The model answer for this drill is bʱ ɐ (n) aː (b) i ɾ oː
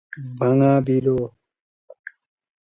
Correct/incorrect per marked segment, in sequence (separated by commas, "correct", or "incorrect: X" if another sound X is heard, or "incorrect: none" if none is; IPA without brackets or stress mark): incorrect: ŋ, correct